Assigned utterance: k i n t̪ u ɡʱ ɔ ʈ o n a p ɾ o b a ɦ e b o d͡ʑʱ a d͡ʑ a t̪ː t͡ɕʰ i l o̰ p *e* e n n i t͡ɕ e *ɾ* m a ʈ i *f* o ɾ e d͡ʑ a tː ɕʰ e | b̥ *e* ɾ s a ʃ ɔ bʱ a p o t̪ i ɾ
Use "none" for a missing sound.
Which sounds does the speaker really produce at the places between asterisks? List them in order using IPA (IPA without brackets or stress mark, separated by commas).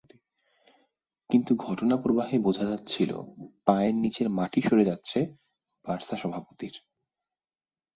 a, ɾ, ʃ, a